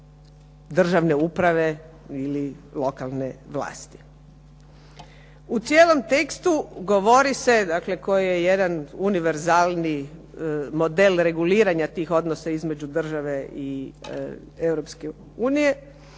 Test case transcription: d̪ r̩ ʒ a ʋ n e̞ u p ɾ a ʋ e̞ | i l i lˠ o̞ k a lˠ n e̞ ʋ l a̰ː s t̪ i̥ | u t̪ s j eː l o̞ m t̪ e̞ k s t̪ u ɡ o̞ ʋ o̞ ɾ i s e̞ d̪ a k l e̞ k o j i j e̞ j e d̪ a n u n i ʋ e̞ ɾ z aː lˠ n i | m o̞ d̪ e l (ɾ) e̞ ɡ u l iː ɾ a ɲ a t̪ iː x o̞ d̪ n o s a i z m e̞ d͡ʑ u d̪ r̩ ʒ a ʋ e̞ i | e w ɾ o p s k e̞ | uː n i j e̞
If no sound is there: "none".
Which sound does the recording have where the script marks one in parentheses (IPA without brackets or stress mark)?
ɾ